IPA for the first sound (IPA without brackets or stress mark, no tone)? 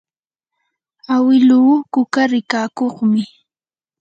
a